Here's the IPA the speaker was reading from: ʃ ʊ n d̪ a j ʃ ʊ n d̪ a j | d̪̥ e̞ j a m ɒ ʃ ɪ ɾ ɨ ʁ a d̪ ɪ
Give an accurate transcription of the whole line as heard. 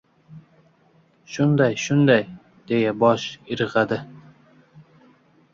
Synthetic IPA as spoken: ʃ ʊ n d̪ a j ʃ ʊ n d̪ a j | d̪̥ e̞ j a b ɒ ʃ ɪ ɾ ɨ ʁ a d̪ ɪ